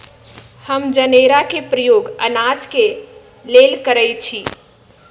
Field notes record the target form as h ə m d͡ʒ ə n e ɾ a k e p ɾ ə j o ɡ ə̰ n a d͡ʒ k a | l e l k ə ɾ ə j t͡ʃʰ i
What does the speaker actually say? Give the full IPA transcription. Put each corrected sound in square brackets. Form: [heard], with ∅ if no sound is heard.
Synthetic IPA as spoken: h ə m d͡ʒ ə n e ɾ a k e p ɾ ə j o ɡ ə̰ n a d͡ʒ k [e] | l e l k ə ɾ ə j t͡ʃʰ i

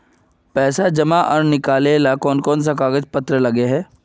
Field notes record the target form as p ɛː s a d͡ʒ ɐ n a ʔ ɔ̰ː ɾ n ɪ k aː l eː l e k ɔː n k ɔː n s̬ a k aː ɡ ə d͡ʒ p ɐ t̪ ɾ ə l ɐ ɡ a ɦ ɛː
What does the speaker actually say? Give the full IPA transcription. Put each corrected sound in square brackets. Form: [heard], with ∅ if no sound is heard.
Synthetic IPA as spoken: p ɛː s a d͡ʒ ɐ [m] a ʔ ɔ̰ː ɾ n ɪ k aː l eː l [a] k ɔː n k ɔː n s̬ a k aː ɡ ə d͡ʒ p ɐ t̪ ɾ ə l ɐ ɡ [e] ɦ ɛː

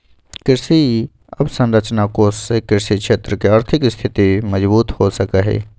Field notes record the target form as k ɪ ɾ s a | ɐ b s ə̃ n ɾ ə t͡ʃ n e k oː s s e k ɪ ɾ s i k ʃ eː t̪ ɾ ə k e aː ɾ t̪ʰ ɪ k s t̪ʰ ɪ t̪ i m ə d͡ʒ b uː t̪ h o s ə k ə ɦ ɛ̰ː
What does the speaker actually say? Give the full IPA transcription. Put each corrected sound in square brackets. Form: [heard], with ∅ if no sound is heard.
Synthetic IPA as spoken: k ɪ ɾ s [i] | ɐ b s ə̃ n ɾ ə t͡ʃ n [a] k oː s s e k ɪ ɾ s i k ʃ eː t̪ ɾ ə k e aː ɾ t̪ʰ ɪ k s t̪ʰ ɪ t̪ i m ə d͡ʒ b uː t̪ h o s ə k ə ɦ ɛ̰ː

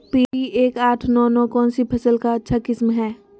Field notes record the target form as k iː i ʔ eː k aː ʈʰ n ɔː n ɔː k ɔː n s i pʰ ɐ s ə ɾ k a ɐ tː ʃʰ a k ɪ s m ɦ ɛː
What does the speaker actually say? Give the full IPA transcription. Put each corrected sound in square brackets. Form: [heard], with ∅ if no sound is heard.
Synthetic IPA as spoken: [p] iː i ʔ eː k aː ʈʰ n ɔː n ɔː k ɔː n s i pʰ ɐ s ə [l] k a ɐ tː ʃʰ a k ɪ s m ɦ ɛː

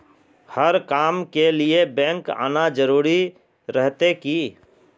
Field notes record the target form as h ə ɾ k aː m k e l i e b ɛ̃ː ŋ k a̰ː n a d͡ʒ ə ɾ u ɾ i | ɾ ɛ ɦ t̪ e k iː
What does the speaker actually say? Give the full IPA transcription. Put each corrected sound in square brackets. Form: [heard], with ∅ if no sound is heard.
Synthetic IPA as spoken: h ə ɾ k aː m k e l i e b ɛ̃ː ŋ k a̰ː n a d͡ʒ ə ɾ [uː] ɾ i | ɾ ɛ ɦ t̪ e k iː

